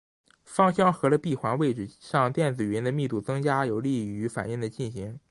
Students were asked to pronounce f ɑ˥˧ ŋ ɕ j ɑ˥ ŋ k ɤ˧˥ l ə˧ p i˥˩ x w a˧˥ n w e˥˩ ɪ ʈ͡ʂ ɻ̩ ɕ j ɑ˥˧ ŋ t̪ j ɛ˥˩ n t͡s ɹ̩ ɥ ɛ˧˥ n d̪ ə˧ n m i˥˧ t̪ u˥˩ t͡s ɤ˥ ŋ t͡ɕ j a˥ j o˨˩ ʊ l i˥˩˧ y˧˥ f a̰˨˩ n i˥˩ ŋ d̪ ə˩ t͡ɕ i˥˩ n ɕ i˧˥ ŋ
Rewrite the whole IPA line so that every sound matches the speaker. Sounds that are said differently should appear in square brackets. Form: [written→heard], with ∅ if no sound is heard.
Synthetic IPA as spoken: f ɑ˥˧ ŋ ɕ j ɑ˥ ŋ [k→x] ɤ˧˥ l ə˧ p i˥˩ x w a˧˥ n w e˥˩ ɪ ʈ͡ʂ ɻ̩ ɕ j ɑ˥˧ ŋ t̪ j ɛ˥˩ n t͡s ɹ̩ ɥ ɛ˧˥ n d̪ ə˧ [n→∅] m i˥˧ t̪ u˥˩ t͡s ɤ˥ ŋ t͡ɕ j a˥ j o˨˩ ʊ l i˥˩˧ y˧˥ f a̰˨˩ n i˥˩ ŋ d̪ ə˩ t͡ɕ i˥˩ n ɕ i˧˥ ŋ